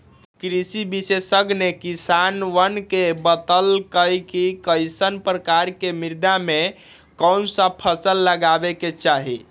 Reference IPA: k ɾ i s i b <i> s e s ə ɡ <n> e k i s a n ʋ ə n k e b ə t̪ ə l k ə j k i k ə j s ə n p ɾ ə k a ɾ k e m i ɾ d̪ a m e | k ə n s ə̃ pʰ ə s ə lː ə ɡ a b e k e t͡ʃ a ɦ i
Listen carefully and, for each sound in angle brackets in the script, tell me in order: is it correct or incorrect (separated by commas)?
correct, correct